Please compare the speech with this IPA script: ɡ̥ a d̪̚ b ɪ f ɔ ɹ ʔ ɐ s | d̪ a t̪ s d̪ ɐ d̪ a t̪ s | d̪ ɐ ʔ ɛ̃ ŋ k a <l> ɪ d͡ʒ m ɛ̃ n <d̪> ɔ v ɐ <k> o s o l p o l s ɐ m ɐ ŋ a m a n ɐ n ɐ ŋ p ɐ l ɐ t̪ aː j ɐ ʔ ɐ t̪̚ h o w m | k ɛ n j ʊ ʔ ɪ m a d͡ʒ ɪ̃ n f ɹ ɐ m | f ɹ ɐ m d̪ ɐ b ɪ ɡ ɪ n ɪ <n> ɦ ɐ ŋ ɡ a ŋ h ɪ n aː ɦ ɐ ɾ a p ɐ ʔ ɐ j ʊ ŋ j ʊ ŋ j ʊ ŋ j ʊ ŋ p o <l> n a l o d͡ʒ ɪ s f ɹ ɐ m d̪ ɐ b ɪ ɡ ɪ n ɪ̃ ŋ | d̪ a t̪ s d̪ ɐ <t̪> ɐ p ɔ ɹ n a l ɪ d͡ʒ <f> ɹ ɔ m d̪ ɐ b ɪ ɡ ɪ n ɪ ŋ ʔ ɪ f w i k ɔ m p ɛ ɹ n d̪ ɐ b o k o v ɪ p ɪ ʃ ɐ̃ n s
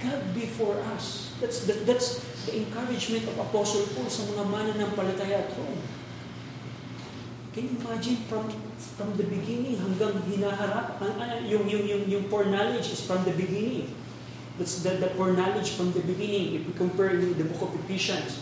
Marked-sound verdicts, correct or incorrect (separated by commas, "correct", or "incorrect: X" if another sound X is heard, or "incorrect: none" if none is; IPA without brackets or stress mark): incorrect: ɹ, incorrect: t̪, incorrect: p, incorrect: ŋ, incorrect: ɹ, incorrect: d̪, correct